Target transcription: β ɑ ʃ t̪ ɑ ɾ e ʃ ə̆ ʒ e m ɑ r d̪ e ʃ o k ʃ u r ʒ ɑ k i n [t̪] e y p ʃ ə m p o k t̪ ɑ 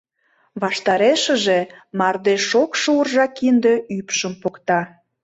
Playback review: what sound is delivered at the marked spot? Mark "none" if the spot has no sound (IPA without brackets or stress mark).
d̪